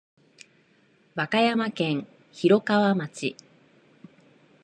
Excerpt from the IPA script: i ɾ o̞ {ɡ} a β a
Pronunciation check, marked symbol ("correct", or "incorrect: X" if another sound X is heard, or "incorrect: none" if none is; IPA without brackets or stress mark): incorrect: k